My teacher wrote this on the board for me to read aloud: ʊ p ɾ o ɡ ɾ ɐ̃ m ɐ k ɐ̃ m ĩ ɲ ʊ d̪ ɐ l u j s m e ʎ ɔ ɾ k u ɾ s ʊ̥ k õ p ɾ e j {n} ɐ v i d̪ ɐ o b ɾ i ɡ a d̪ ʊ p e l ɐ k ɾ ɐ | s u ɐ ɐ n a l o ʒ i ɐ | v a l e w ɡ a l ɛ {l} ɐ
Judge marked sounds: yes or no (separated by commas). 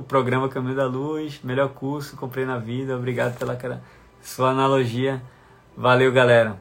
yes, no